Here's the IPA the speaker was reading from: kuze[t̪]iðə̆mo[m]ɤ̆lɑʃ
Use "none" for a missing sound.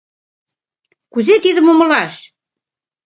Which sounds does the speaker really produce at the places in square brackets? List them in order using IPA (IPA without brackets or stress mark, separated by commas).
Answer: t̪, m